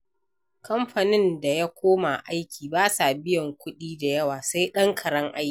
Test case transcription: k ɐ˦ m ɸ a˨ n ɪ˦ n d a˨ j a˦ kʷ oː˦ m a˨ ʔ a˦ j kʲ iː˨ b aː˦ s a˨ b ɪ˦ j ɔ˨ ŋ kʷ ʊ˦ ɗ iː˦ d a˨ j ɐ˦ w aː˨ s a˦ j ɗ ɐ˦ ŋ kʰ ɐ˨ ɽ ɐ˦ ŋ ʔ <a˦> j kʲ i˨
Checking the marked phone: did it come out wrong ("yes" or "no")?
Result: no